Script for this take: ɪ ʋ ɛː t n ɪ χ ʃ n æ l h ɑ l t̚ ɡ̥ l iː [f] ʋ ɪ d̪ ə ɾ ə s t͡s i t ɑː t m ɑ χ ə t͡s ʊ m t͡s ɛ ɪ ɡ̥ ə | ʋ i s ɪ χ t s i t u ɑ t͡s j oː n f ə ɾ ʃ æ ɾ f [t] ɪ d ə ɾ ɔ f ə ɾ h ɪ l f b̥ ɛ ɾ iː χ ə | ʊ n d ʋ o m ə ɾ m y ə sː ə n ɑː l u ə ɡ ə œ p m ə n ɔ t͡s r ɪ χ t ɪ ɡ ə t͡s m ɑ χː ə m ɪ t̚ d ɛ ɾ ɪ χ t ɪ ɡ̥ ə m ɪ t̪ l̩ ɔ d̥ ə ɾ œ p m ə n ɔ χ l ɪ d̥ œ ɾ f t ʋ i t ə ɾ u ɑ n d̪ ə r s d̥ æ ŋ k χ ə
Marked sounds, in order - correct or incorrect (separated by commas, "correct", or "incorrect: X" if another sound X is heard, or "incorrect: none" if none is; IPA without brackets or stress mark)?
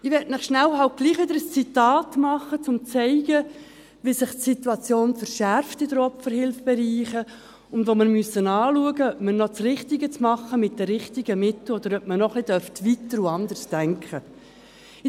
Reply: incorrect: χ, correct